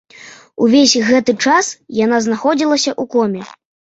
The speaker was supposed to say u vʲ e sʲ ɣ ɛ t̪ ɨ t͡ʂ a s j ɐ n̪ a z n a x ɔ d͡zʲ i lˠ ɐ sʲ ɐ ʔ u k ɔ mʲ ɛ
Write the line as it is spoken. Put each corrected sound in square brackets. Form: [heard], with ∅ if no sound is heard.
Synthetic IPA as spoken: u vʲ e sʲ ɣ ɛ t̪ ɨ t͡ʂ a s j [a] n̪ a z n a x ɔ d͡zʲ i lˠ ɐ sʲ ɐ ʔ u k ɔ mʲ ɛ